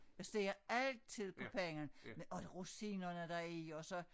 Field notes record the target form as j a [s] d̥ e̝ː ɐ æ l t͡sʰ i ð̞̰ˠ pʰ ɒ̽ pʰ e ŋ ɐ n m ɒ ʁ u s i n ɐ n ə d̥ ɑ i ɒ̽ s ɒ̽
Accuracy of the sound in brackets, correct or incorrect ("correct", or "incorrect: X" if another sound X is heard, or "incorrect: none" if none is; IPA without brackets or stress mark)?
correct